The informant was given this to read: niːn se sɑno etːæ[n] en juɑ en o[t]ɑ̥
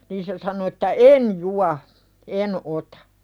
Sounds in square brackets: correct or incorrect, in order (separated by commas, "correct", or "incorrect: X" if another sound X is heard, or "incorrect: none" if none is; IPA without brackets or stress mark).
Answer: incorrect: none, correct